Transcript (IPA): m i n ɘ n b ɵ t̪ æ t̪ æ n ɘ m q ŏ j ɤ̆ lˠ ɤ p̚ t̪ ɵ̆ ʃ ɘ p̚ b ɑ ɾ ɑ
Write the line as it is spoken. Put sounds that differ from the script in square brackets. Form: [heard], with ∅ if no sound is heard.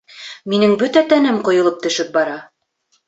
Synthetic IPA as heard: m i n ɘ [ŋ] b ɵ t̪ æ t̪ æ n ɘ m q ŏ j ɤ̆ lˠ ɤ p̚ t̪ ɵ̆ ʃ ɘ p̚ b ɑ ɾ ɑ